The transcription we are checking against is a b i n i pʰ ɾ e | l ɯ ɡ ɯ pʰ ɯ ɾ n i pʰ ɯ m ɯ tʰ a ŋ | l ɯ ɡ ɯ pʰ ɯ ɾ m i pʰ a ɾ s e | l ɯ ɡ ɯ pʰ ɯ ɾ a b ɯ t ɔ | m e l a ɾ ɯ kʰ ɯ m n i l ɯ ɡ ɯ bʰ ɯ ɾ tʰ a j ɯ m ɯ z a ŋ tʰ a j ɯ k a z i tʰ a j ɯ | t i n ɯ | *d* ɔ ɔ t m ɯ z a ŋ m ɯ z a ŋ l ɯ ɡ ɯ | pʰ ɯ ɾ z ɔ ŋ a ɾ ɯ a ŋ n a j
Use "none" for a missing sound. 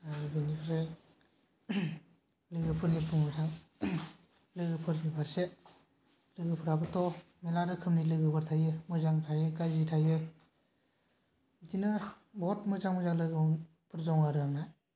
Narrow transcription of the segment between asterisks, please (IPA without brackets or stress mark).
b